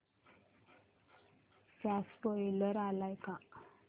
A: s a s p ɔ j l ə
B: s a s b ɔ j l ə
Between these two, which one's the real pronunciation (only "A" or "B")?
A